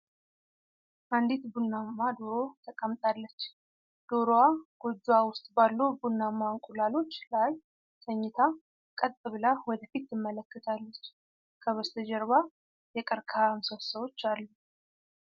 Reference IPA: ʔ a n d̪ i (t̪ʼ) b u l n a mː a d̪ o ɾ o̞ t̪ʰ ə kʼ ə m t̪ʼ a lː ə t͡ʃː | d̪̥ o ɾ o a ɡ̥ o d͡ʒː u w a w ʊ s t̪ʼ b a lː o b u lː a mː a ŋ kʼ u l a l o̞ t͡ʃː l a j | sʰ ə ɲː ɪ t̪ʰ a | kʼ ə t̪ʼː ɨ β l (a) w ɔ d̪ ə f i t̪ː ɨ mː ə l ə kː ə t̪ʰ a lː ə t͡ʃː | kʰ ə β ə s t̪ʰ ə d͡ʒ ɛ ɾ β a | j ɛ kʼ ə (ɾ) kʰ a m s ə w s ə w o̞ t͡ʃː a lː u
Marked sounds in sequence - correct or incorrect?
incorrect: t̪, correct, correct

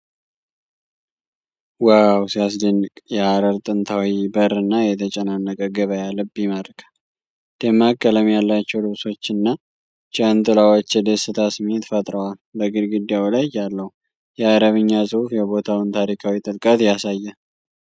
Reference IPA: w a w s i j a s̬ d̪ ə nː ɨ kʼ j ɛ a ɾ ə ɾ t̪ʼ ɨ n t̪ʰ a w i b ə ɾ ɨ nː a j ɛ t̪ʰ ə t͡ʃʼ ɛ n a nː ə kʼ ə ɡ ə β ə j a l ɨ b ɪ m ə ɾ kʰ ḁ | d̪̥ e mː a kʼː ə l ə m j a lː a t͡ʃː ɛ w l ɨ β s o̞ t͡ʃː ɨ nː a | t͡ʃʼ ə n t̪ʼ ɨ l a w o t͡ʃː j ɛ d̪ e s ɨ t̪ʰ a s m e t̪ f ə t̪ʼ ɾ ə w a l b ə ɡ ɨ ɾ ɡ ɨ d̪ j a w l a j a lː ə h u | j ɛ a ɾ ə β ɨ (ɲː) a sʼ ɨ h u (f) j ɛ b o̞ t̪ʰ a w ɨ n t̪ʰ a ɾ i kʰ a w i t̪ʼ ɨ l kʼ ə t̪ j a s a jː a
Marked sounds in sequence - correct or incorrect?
correct, correct

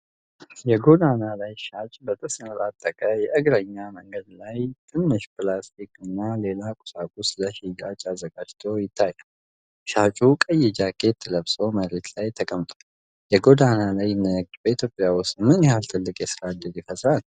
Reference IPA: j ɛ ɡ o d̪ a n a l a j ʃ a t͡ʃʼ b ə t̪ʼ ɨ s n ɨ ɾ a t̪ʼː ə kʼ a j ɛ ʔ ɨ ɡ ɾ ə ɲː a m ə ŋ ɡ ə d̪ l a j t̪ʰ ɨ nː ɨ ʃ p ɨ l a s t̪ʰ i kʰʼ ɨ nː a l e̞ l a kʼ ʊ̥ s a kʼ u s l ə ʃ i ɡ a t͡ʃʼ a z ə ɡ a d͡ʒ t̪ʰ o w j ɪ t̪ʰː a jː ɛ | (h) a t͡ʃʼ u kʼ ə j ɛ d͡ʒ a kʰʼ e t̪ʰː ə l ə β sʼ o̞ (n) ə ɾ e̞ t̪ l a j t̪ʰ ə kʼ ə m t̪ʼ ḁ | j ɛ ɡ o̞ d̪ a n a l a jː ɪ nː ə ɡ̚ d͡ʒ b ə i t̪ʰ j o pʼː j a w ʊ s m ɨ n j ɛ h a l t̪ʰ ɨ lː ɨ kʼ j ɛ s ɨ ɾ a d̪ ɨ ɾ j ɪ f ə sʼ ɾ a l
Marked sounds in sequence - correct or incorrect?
incorrect: ʃ, incorrect: m

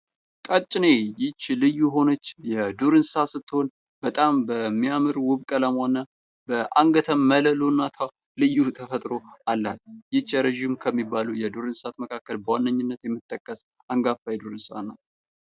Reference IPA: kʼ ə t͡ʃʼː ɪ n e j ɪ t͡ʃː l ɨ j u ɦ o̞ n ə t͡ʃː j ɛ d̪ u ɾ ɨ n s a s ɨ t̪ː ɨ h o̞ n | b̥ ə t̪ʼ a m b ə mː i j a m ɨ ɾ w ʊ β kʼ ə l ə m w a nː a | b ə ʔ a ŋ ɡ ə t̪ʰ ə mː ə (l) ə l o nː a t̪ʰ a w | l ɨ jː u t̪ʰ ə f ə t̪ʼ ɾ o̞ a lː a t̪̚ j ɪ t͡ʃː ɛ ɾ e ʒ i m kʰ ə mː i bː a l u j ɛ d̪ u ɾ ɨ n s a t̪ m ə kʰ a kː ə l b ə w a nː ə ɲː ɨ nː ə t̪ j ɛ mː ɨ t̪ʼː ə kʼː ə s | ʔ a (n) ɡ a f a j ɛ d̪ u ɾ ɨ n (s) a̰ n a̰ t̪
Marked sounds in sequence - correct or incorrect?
correct, incorrect: ŋ, correct

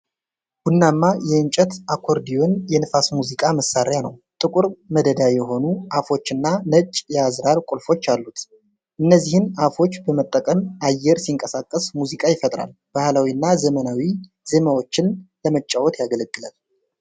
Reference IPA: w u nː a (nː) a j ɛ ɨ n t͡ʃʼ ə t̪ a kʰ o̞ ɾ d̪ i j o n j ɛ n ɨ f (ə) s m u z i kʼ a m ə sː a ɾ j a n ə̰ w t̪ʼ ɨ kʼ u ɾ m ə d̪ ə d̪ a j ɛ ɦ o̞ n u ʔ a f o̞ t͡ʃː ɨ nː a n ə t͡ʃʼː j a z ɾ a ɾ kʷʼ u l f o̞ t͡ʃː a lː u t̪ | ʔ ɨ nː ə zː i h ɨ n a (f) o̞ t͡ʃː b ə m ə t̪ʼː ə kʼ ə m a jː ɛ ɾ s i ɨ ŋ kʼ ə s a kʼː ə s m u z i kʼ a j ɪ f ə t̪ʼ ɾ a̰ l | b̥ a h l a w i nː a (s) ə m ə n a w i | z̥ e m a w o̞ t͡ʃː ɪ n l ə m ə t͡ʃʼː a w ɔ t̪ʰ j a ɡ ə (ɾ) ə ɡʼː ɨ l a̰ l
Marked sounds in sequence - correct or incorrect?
incorrect: mː, incorrect: a, correct, incorrect: z, incorrect: l

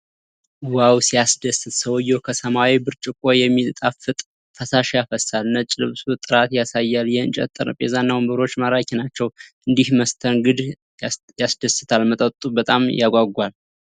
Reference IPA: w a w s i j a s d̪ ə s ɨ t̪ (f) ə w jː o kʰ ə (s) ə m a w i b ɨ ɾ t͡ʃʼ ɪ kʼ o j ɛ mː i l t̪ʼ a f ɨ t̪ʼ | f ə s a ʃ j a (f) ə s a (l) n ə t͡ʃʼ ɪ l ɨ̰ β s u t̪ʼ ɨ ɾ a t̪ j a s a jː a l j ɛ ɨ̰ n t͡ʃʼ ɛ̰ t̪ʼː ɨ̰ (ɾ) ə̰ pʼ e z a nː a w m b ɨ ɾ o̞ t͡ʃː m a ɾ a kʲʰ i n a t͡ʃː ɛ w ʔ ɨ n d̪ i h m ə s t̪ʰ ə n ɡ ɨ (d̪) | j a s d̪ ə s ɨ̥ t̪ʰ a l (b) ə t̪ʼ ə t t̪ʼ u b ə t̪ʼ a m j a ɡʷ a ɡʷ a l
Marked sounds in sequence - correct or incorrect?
incorrect: s, correct, correct, correct, correct, correct, incorrect: m

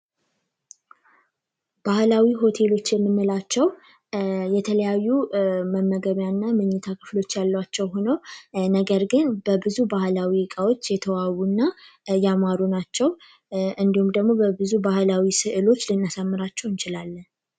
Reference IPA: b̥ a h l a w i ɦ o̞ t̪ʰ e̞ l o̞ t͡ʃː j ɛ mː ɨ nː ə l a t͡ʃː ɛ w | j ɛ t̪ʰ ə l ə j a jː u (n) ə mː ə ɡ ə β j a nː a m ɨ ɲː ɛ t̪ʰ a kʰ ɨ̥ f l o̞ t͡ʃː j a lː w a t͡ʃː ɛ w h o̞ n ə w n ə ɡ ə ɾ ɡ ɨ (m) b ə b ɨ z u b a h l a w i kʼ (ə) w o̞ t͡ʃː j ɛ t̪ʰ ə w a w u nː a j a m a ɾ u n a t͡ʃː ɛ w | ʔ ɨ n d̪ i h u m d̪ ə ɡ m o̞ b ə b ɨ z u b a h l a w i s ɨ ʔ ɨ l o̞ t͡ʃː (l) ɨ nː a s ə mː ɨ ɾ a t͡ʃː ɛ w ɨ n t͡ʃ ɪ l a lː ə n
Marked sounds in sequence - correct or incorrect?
incorrect: m, incorrect: n, incorrect: a, correct

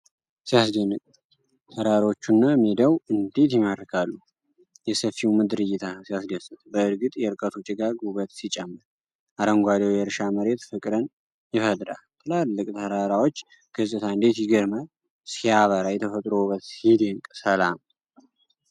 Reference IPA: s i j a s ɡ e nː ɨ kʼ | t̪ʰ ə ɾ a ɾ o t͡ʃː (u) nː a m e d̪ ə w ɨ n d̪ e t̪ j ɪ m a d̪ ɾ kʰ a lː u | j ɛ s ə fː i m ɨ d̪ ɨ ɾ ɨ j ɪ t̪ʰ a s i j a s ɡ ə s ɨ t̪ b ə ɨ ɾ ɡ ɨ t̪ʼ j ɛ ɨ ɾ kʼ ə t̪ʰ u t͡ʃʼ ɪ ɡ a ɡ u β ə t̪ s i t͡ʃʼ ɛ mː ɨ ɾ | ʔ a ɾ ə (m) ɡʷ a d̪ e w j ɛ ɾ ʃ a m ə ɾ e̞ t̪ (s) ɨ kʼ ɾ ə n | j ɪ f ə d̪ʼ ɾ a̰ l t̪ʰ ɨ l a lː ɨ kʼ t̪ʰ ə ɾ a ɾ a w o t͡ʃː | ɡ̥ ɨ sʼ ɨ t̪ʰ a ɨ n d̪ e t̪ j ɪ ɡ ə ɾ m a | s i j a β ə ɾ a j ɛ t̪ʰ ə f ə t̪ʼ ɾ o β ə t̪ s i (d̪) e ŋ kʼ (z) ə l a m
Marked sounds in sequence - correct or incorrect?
correct, incorrect: ŋ, incorrect: f, correct, incorrect: s

